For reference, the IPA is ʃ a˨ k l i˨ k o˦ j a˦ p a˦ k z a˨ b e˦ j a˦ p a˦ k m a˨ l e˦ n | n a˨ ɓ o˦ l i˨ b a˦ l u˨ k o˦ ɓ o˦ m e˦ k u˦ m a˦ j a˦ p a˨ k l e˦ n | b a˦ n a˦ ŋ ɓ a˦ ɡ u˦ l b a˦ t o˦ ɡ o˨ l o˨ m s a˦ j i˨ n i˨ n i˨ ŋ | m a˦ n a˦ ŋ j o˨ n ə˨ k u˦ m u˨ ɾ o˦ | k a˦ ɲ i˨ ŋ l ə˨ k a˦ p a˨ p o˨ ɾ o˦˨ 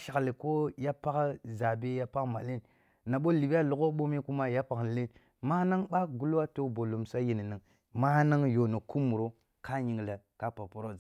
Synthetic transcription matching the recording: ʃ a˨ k l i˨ k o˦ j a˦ p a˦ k z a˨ b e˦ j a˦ p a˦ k m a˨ l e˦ n | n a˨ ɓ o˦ l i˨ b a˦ l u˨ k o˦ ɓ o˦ m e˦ k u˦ m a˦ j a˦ p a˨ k l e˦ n | m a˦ n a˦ ŋ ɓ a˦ ɡ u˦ l w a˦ t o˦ b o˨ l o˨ m s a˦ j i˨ n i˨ n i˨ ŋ | m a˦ n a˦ ŋ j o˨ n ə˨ k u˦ m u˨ ɾ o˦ | k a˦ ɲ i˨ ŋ l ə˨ k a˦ p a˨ p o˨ ɾ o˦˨